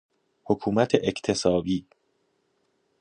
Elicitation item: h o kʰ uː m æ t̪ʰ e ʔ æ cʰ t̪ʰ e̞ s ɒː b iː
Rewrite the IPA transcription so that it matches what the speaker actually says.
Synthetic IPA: h o kʰ uː m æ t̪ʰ e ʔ e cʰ t̪ʰ e̞ s ɒː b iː